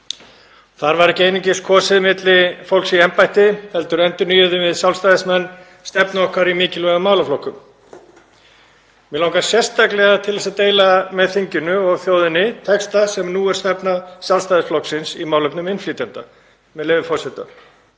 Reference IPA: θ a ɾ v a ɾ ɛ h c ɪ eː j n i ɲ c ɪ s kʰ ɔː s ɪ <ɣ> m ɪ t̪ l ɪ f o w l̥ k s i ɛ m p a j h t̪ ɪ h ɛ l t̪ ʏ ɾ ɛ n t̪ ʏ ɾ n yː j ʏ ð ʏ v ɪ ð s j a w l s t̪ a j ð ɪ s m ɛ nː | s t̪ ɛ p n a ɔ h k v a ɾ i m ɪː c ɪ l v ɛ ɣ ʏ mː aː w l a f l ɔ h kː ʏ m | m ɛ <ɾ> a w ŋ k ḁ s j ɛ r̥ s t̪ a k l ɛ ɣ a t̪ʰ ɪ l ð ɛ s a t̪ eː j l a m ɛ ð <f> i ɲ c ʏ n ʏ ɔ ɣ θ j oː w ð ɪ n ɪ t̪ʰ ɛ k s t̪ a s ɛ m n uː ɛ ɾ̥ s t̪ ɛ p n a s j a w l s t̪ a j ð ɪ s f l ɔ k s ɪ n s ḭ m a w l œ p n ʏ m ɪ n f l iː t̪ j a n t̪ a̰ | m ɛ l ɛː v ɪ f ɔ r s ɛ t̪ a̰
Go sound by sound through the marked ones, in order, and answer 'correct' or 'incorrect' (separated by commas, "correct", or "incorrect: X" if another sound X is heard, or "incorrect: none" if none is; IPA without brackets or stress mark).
incorrect: ð, incorrect: l, incorrect: θ